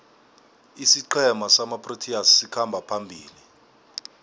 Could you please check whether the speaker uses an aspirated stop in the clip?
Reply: yes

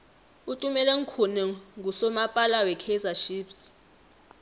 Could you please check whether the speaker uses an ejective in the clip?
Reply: yes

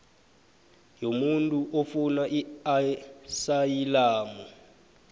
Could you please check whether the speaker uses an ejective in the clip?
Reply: yes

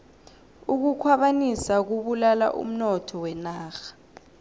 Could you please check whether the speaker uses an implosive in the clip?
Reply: yes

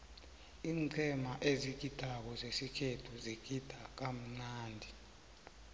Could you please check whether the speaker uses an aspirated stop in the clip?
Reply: yes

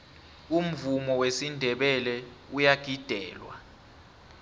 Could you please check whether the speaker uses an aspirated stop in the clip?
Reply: no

